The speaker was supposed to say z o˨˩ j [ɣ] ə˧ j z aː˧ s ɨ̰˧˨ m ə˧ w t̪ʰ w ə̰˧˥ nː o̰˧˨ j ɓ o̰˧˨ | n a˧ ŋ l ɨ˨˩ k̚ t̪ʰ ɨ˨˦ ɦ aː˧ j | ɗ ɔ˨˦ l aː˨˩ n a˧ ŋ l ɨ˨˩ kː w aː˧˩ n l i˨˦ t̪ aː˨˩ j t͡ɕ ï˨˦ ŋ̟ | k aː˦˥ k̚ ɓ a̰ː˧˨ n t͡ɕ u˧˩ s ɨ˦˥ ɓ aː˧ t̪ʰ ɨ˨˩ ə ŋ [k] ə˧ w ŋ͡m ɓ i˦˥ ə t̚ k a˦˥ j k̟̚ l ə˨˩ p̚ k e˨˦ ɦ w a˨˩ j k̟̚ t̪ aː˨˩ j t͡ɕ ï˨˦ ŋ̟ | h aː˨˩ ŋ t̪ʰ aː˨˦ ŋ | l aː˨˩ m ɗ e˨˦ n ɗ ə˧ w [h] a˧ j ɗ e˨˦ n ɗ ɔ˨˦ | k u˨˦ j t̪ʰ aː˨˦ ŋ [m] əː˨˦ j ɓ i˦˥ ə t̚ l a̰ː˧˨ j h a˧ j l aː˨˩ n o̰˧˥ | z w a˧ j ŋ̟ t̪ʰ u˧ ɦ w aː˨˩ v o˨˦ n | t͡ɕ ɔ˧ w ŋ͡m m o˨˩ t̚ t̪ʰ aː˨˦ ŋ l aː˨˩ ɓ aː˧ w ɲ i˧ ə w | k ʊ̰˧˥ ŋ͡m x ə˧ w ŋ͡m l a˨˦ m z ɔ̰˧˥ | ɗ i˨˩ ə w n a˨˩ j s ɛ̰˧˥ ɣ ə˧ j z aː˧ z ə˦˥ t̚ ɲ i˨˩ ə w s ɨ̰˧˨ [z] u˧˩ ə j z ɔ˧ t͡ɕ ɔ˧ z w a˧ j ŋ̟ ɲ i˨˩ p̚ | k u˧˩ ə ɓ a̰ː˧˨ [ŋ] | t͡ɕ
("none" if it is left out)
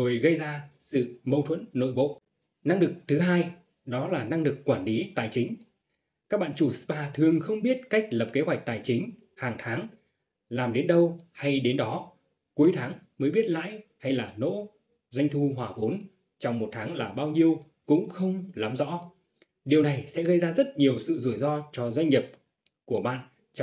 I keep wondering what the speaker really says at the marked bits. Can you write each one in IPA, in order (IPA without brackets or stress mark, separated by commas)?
ɣ, x, h, m, z, n